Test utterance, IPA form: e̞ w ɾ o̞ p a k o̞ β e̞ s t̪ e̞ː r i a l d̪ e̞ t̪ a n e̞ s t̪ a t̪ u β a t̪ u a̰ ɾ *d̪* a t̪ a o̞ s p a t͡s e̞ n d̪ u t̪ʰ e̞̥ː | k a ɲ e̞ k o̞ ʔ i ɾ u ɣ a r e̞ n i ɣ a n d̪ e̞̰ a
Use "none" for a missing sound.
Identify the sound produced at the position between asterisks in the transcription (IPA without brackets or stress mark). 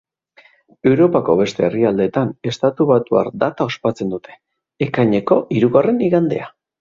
d̪